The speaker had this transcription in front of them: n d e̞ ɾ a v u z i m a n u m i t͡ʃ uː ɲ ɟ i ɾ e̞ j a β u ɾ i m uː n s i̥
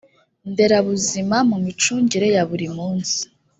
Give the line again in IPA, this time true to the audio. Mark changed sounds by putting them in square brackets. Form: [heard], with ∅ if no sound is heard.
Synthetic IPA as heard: n d e̞ ɾ a [β] u z i m a [m] u m i t͡ʃ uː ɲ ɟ i ɾ e̞ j a β u ɾ i m uː n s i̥